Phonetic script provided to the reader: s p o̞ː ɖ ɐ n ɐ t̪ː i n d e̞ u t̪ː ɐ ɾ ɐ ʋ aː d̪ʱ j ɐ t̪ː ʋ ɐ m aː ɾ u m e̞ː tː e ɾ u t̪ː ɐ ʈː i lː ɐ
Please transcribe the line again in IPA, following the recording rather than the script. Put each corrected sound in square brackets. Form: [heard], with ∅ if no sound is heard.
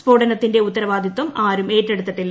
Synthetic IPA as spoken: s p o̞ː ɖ ɐ n ɐ t̪ː i n d e̞ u t̪ː ɐ ɾ ɐ ʋ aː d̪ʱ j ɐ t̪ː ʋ ɐ m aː ɾ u m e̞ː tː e [ɽ] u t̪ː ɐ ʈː i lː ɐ